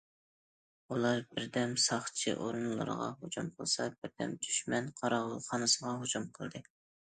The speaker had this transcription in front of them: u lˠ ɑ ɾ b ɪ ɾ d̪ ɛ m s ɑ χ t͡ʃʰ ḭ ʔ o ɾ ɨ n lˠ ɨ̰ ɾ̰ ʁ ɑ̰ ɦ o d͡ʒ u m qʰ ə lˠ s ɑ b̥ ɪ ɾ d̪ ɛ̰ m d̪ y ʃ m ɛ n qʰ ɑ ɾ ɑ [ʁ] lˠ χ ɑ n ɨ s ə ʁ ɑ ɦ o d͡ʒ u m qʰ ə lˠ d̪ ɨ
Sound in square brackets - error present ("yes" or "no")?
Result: no